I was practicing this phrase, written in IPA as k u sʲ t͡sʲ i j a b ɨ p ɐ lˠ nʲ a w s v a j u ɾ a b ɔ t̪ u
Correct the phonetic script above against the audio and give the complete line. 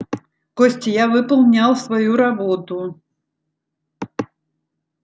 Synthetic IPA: k ɔ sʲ t͡sʲ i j a v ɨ p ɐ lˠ nʲ a w s v a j u ɾ a b ɔ t̪ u